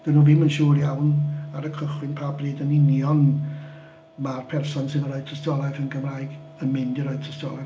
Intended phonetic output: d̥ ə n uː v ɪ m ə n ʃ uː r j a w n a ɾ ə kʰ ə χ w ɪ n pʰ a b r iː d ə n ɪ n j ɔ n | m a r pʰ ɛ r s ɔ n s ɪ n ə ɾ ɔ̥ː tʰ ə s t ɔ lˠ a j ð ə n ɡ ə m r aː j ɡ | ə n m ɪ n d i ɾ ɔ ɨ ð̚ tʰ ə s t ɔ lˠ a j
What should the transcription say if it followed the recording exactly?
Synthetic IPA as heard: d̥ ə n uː v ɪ m ə n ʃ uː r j a w n a ɾ ə kʰ ə χ w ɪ n pʰ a b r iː d ə n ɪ n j ɔ n | m a r pʰ ɛ r s ɔ n s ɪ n ə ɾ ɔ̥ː tʰ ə s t ɔ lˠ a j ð ə n ɡ ə m r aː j ɡ | ə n m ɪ n d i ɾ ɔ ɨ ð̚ tʰ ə s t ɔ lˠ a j